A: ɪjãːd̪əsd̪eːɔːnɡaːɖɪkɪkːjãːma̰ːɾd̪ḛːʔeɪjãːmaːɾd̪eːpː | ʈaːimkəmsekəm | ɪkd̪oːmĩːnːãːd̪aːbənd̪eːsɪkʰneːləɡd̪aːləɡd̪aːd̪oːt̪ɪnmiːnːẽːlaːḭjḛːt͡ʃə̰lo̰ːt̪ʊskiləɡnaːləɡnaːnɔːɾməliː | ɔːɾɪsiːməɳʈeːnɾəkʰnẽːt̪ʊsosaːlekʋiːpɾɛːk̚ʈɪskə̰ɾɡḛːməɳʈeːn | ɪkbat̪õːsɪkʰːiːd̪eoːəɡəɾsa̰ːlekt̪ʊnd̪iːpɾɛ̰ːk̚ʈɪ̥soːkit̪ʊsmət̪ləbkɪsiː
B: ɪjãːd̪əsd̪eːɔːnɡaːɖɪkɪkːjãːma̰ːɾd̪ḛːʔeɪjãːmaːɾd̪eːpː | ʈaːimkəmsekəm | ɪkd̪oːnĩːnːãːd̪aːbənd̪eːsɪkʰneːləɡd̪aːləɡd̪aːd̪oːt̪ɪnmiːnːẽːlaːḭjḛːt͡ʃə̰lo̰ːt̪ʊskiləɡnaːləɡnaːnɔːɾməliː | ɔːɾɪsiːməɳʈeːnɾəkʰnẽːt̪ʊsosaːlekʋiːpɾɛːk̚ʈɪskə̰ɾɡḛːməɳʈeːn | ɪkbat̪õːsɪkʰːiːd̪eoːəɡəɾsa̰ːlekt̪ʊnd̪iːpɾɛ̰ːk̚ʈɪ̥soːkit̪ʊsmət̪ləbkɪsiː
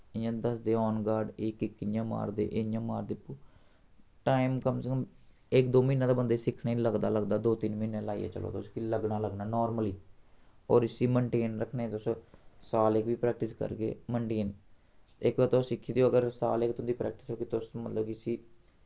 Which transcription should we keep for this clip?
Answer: A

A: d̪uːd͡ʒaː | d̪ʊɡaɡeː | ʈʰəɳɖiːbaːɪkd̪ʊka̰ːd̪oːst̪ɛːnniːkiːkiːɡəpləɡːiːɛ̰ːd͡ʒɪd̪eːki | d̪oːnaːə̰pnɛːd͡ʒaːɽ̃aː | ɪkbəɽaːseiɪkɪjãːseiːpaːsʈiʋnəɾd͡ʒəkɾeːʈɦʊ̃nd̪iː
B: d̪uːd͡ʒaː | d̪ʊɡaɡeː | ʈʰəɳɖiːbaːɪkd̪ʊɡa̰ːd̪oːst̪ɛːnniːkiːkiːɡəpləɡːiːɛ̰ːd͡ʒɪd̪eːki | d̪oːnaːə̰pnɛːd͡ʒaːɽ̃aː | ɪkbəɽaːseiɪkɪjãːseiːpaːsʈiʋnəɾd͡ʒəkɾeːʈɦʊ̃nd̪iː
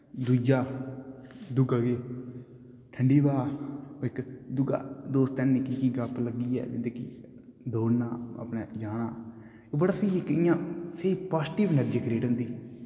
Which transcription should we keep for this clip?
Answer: B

